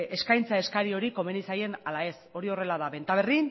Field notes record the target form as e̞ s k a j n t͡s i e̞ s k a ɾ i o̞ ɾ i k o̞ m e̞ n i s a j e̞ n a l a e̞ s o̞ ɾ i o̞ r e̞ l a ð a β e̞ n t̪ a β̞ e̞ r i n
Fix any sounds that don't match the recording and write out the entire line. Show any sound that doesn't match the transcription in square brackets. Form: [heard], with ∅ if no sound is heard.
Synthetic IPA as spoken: e̞ s k a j n t͡s [a] e̞ s k a ɾ i o̞ ɾ i k o̞ m e̞ n i s a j e̞ n a l a e̞ s o̞ ɾ i o̞ r e̞ l a ð a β e̞ n t̪ a β̞ e̞ r i n